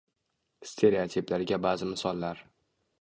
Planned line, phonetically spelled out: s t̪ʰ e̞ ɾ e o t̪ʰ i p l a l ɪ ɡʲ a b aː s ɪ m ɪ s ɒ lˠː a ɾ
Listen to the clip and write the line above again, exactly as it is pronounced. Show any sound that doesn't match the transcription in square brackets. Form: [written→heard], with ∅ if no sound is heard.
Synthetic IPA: s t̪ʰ e̞ ɾ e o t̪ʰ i p l a [l→ɾ] ɪ ɡʲ a b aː [s→z] ɪ m ɪ s ɒ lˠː a ɾ